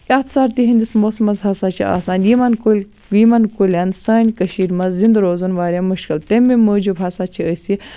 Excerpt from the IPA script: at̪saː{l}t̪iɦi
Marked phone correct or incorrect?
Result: incorrect